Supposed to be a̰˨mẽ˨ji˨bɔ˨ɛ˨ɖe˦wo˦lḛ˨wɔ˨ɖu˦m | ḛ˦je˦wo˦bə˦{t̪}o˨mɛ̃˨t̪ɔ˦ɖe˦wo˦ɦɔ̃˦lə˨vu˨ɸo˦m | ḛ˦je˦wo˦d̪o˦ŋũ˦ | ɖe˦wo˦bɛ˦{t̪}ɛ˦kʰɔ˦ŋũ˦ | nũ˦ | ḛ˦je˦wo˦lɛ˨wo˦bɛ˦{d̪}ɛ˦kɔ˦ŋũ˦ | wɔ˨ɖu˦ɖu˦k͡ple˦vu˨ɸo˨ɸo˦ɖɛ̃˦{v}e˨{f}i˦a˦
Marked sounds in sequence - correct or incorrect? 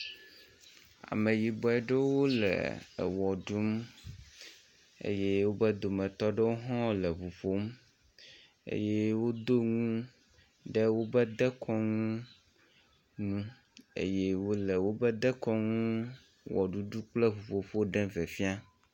incorrect, incorrect, correct, correct, correct

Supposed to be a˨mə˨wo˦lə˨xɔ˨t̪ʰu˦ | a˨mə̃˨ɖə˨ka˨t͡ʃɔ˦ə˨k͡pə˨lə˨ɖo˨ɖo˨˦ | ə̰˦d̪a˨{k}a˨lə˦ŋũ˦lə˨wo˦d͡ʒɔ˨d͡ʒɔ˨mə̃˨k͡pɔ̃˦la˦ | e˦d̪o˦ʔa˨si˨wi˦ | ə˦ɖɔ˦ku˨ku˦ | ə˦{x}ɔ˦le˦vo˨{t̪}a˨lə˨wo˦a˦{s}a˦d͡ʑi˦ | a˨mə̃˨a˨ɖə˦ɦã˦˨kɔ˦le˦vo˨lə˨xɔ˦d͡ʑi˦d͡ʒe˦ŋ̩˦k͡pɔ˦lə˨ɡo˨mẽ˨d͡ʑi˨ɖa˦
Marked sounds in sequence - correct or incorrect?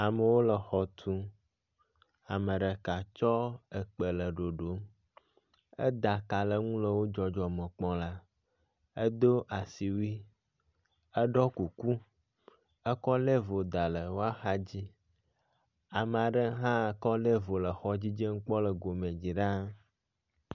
correct, incorrect, incorrect, incorrect

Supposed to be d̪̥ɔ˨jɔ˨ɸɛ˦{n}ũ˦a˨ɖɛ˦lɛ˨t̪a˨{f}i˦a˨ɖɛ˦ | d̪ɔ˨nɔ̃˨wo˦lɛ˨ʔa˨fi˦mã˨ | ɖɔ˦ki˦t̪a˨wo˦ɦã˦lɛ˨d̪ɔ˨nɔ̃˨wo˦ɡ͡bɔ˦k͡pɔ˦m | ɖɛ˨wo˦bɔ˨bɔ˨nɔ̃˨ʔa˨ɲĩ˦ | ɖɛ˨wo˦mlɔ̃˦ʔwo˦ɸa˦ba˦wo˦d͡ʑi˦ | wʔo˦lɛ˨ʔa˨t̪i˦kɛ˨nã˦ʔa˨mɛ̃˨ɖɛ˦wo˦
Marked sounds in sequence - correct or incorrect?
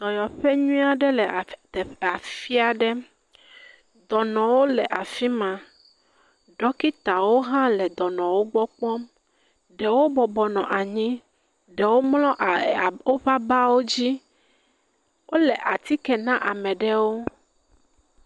incorrect, correct

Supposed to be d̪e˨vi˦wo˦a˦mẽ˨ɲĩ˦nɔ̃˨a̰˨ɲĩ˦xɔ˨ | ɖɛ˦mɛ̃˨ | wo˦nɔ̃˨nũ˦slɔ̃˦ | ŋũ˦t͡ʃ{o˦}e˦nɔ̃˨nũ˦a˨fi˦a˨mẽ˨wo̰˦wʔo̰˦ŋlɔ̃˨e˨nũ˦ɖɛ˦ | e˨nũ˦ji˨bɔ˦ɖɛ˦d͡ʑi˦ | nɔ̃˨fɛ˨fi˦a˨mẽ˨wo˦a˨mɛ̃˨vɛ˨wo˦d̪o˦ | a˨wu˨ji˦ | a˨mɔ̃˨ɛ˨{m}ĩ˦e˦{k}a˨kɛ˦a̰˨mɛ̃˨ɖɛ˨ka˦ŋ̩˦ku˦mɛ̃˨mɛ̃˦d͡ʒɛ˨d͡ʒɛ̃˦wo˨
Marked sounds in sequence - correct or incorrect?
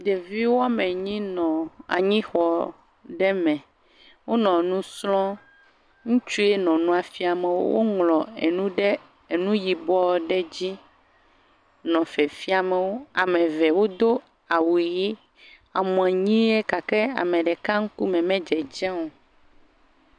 incorrect, incorrect, correct

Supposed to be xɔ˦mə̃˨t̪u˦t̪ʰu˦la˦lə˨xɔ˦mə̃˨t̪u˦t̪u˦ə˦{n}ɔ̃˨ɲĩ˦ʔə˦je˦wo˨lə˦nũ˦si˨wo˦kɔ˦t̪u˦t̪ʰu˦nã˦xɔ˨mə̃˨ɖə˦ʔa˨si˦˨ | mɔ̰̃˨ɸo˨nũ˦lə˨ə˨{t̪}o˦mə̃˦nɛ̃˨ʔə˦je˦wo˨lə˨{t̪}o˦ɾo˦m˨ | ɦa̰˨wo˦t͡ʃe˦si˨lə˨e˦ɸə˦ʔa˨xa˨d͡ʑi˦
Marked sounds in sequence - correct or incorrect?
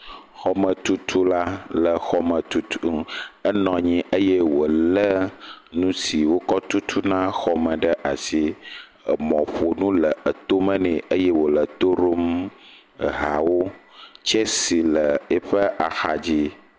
correct, correct, correct

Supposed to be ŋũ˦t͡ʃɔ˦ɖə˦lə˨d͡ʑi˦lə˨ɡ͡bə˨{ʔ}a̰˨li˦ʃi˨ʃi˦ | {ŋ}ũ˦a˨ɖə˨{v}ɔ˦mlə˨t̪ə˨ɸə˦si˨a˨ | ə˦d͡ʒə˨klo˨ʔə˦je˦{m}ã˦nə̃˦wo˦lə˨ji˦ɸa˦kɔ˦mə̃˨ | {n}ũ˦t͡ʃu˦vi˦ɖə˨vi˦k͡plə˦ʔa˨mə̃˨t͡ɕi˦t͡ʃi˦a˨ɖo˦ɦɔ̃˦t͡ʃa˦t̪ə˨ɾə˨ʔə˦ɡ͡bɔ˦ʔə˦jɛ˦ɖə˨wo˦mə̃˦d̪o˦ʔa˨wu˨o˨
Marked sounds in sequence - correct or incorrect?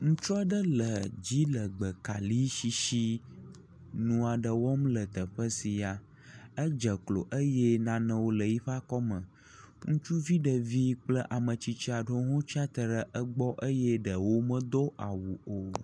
incorrect, incorrect, incorrect, incorrect, incorrect

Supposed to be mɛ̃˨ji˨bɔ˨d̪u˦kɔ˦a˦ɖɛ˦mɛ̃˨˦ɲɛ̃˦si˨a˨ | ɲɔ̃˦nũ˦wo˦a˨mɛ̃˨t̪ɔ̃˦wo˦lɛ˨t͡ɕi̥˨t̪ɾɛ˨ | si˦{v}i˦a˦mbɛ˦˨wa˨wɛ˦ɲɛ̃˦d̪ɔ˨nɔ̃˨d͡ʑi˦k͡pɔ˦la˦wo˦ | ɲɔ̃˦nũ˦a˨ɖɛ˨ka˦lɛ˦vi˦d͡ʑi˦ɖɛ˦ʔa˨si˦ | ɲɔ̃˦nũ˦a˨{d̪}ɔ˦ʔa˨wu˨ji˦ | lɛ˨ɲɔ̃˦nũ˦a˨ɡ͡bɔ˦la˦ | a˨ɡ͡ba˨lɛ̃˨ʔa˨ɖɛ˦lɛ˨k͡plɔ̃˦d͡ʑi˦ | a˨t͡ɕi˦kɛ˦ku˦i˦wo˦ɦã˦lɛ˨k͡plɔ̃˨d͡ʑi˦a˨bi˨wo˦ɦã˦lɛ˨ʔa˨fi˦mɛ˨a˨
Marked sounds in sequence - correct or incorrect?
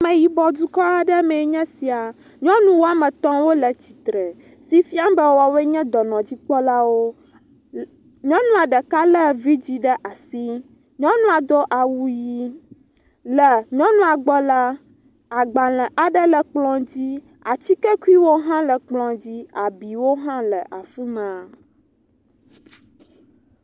incorrect, correct

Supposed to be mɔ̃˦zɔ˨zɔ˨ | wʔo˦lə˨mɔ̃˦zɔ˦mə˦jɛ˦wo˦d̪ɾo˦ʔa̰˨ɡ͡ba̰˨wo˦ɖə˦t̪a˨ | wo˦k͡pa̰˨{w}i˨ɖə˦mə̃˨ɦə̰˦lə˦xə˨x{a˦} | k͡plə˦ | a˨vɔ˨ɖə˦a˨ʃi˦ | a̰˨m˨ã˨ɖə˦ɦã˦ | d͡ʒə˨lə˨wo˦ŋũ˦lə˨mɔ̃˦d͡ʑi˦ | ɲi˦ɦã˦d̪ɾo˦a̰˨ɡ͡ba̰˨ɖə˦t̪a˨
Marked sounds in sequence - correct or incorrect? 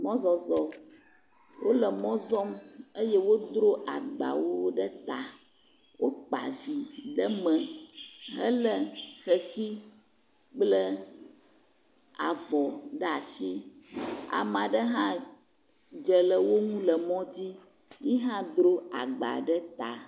incorrect, incorrect

